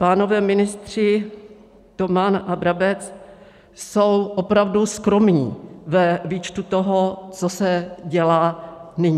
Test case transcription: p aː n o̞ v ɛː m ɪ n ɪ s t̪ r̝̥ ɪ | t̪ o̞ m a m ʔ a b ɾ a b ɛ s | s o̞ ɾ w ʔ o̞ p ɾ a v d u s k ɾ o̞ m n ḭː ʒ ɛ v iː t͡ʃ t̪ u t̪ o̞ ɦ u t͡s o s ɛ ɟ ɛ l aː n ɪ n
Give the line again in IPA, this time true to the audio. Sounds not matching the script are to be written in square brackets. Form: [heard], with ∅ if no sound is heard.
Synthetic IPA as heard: p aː n o̞ v ɛː m ɪ n ɪ s t̪ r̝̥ ɪ | t̪ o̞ m a [n] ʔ a b ɾ a b ɛ [t͡s] | s o̞ [∅] w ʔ o̞ p ɾ a v d u s k ɾ o̞ m [ɲ] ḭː [v] ɛ v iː t͡ʃ t̪ u t̪ o̞ ɦ [o] t͡s o s ɛ ɟ ɛ l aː n ɪ [ɲ]